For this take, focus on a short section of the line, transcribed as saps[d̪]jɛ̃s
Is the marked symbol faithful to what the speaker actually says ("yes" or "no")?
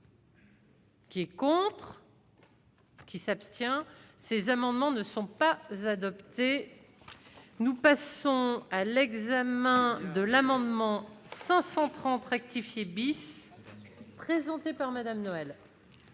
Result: no